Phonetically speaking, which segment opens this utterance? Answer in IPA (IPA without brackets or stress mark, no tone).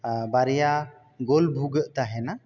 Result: b